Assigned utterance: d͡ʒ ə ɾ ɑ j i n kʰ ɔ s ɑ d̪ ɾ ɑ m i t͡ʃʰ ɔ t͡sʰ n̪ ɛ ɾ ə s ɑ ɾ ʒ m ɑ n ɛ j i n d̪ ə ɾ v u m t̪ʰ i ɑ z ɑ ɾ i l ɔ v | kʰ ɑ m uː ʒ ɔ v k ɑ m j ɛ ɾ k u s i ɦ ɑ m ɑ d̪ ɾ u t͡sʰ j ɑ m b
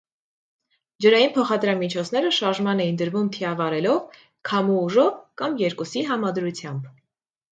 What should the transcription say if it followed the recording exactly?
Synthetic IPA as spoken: d͡ʒ ə ɾ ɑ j i n pʰ ɔ χ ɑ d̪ ɾ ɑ m i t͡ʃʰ ɔ t͡sʰ n̪ ɛ ɾ ə ʃ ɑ ɾ ʒ m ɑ n ɛ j i n d̪ ə ɾ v u m t̪ʰ i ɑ v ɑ ɾ ɛ l ɔ v | kʰ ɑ m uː ʒ ɔ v k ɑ m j ɛ ɾ k u s i ɦ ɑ m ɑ d̪ ɾ u t͡sʰ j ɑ m b

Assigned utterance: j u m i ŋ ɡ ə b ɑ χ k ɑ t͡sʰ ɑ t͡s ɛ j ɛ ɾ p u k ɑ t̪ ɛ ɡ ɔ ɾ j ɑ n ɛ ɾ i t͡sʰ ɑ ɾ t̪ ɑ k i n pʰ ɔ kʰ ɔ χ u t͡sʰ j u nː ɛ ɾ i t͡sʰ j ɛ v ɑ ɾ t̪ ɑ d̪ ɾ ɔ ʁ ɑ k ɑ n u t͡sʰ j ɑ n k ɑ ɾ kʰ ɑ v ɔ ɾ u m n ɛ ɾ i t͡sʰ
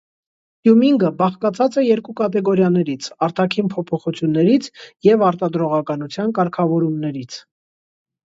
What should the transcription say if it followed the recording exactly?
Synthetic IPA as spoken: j u m i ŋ ɡ ə b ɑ χ k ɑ t͡sʰ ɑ t͡s ɛ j ɛ ɾ k u k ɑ t̪ ɛ ɡ ɔ ɾ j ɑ n ɛ ɾ i t͡sʰ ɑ ɾ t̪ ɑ kʰ i n pʰ ɔ pʰ ɔ χ u t͡sʰ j u nː ɛ ɾ i t͡sʰ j ɛ v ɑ ɾ t̪ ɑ d̪ ɾ ɔ ʁ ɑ k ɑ n u t͡sʰ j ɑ n k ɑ ɾ kʰ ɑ v ɔ ɾ u m n ɛ ɾ i t͡sʰ

